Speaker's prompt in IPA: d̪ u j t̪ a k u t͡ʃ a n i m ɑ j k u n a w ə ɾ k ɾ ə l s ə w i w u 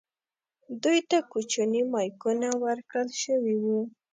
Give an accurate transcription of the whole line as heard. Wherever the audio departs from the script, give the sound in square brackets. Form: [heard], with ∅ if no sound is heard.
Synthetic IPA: d̪ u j t̪ a k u t͡ʃ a n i m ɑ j k u n a w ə ɾ k [ɽ] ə l [ʃ] ə w i w u

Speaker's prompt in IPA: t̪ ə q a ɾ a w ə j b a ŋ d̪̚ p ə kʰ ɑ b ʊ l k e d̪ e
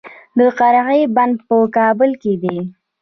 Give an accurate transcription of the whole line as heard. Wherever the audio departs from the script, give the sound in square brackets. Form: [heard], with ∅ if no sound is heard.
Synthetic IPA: [d̪] ə q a ɾ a [ɣ] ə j b a [n] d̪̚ p ə [k] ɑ b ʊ l k e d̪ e

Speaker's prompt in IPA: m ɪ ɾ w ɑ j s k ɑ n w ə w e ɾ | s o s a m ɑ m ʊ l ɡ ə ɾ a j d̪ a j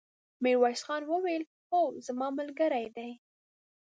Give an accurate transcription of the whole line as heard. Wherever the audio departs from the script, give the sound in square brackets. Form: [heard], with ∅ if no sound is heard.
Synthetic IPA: m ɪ ɾ w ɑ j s [x] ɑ n w ə w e [l] | [x] o [z] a m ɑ m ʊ l ɡ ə ɾ a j d̪ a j

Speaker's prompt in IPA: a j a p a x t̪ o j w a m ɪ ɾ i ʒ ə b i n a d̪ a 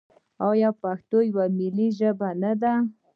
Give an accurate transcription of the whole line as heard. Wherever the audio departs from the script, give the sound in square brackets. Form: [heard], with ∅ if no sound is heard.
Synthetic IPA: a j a p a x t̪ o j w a m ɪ [l] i ʒ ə b [a] n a d̪ a

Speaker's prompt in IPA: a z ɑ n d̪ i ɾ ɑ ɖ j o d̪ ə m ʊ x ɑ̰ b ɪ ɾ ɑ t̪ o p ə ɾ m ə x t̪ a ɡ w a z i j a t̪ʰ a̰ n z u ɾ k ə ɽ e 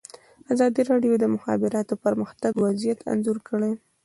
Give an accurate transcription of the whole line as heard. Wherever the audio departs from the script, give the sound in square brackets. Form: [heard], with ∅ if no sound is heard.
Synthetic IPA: a z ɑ [∅] d̪ i ɾ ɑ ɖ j o d̪ ə m ʊ x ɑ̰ b ɪ ɾ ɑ t̪ o p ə ɾ m ə x t̪ a ɡ w a z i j a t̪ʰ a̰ n z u ɾ k ə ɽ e

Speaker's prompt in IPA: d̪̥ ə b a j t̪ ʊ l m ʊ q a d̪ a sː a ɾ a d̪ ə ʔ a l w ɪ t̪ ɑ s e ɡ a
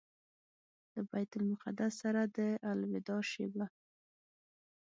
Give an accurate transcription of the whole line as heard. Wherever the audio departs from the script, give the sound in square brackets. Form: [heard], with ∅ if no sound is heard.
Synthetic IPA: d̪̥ ə b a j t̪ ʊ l m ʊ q a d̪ a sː a ɾ a d̪ ə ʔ a l w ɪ [d̪] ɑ [ʃ] e [b] a

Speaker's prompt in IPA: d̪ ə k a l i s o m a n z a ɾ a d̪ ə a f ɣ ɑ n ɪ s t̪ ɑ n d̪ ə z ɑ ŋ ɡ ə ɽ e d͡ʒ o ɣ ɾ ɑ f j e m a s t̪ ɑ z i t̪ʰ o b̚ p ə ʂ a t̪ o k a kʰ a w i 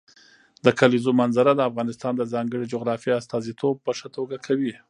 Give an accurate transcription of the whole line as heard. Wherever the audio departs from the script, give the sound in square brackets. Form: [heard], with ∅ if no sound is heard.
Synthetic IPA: d̪ ə k a l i [z] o m a n z a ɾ a d̪ ə a f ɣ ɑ n ɪ s t̪ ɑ n d̪ ə z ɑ ŋ ɡ ə ɽ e d͡ʒ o ɣ ɾ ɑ f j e [∅] a s t̪ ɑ z i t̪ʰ o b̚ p ə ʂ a t̪ o [ɡ] a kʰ a w i

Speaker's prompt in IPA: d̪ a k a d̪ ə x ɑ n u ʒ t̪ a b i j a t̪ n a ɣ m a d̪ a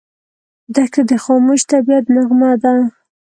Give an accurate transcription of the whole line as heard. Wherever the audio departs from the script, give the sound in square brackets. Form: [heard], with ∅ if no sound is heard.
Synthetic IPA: d̪ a k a d̪ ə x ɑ [m] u [ʃ] t̪ a b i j a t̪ n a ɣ m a d̪ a

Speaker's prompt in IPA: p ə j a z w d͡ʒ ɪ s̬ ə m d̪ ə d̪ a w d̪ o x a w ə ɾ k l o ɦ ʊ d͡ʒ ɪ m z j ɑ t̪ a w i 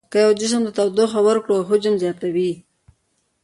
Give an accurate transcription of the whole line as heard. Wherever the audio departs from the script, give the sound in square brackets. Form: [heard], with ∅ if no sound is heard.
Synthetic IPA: [k] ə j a [∅] w d͡ʒ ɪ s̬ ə m d̪ ə [t̪] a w d̪ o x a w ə ɾ k [ɽ] o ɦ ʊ d͡ʒ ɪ m z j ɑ t̪ a w i

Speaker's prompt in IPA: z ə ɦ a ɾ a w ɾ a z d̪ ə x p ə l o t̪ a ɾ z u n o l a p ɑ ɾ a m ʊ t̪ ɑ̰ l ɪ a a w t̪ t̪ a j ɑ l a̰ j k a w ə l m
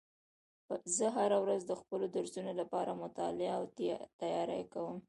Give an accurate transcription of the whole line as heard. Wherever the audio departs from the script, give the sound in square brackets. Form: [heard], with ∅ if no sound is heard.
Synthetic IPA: z ə ɦ a ɾ a w ɾ a z d̪ ə x p ə l o [d̪] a ɾ z u n o l a p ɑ ɾ a m ʊ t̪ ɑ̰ l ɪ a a w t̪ t̪ a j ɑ [ɾ] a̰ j k a w ə [∅] m

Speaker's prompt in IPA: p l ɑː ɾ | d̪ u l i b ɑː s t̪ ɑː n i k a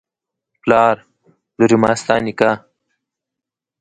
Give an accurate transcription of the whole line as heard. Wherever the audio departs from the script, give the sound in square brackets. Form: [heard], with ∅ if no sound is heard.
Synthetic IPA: p l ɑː ɾ | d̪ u [ɾ] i [m] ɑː s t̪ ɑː n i k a

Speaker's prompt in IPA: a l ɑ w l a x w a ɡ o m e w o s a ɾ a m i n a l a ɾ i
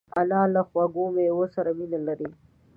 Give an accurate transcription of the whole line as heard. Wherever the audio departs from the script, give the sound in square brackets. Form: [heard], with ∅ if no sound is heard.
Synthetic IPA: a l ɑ [∅] l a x w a ɡ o m e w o s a ɾ a m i n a l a ɾ i

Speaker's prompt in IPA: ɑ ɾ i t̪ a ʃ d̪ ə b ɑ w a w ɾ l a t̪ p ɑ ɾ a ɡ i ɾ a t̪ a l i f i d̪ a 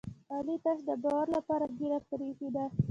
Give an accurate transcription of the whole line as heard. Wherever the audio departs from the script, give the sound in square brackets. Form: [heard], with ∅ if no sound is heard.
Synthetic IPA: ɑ [l] i t̪ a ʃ d̪ ə b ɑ w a [∅] ɾ l a [∅] p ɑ ɾ a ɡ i ɾ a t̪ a [ɾ] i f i d̪ a

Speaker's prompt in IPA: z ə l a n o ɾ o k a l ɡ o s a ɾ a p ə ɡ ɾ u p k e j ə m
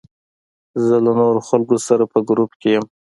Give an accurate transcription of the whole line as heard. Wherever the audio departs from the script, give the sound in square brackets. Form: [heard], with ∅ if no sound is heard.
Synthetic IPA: z ə l a n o ɾ o [x] a l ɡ o s a ɾ a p ə ɡ ɾ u p k e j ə m

